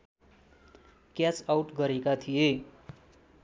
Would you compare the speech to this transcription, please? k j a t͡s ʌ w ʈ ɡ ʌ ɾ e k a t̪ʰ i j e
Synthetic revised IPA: k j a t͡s a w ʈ ɡ ʌ ɾ e k a t̪ʰ i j e